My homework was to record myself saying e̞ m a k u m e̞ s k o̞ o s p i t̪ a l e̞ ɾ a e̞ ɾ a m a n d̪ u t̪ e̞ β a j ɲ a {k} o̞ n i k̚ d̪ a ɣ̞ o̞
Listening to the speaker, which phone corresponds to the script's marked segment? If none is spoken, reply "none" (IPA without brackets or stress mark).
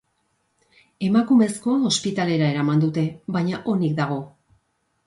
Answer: ʔ